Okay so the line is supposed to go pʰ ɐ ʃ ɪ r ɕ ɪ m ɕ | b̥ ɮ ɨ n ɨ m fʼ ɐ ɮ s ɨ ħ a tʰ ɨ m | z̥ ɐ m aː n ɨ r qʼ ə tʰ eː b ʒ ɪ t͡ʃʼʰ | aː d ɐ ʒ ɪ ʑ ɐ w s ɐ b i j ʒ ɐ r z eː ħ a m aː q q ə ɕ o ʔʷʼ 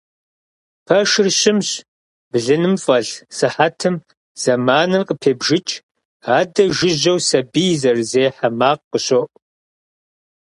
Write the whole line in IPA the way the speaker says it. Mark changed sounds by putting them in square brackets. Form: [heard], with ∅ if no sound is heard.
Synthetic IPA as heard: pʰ ɐ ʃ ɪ r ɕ ɪ m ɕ | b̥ ɮ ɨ n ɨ m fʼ ɐ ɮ s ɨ ħ a tʰ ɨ m | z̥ ɐ m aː n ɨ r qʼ ə [pʰ] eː b ʒ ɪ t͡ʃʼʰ | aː d ɐ ʒ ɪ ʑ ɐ w s ɐ b i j [z] ɐ r z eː ħ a m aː q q ə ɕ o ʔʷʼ